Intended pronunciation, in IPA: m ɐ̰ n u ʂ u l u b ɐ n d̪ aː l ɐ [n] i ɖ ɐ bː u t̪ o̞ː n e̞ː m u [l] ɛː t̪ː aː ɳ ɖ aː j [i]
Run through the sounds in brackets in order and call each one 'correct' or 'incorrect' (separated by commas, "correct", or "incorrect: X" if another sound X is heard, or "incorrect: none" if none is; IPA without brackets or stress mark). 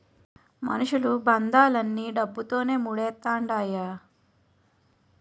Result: incorrect: nː, incorrect: ɽ, incorrect: a